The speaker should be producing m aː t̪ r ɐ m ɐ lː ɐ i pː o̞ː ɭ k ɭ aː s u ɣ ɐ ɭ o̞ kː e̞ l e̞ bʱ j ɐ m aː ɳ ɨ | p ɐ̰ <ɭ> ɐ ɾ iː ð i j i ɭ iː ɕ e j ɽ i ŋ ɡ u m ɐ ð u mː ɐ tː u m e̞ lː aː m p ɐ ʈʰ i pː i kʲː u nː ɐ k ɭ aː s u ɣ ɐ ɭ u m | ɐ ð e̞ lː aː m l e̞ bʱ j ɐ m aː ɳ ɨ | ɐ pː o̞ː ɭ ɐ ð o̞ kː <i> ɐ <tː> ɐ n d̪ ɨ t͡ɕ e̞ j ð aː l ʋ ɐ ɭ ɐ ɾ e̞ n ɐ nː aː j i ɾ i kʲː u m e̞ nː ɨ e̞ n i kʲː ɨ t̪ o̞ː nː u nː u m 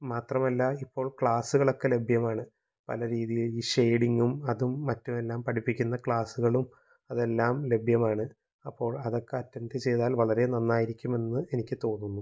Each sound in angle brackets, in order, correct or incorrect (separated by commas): incorrect, incorrect, correct